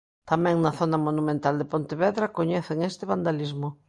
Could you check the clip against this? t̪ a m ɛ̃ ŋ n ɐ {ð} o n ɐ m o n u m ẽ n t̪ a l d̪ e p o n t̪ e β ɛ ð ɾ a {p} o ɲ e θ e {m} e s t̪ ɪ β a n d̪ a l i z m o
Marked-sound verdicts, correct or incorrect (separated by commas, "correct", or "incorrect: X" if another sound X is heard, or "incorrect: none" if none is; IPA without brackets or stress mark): incorrect: θ, incorrect: k, incorrect: ŋ